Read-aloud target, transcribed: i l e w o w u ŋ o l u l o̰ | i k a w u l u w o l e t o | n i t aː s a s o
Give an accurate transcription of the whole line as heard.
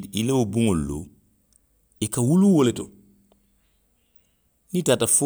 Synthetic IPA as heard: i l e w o b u ŋ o l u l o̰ | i k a w u l u w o l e t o | n i t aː t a f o